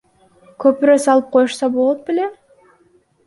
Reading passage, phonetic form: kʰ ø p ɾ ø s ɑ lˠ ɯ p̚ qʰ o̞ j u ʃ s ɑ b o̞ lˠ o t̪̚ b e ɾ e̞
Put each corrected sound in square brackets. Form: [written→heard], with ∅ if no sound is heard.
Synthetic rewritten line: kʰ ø p ɾ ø s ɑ lˠ ɯ p̚ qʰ o̞ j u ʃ s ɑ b o̞ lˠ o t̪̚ b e [ɾ→l] e̞